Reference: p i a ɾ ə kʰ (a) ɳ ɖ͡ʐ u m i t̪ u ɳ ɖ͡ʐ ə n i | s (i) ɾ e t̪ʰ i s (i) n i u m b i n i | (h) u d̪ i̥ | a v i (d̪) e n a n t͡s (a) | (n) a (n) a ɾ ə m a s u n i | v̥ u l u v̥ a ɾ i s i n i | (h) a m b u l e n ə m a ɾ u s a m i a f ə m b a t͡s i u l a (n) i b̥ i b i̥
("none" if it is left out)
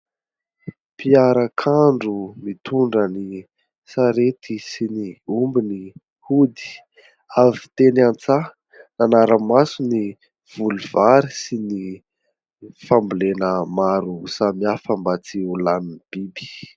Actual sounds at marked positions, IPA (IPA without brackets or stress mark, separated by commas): a, a, i, h, t̪, a, n, n, f, n